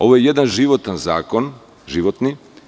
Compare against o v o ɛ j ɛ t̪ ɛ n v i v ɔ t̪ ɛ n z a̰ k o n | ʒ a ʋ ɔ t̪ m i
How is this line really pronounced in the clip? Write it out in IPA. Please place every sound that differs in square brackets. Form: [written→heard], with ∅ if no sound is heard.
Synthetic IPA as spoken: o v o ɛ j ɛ [t̪→d̪] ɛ n [v→ʒ] i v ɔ t̪ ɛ n z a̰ k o n | ʒ [a→i] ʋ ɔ t̪ [m→n] i